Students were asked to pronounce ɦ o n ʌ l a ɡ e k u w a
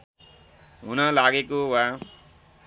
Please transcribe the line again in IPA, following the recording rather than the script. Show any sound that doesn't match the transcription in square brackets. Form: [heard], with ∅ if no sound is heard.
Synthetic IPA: ɦ [u] n ʌ l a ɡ e k [o] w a